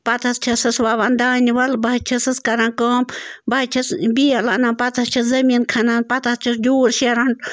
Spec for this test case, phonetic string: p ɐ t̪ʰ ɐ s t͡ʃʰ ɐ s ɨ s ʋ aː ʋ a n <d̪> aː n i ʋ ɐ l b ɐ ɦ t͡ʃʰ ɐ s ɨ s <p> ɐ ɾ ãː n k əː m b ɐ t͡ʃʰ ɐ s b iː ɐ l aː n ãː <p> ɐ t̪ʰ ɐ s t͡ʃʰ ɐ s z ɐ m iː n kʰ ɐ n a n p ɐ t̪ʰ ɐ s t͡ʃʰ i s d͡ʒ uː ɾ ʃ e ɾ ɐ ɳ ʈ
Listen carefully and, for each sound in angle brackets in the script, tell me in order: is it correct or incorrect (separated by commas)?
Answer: correct, incorrect, correct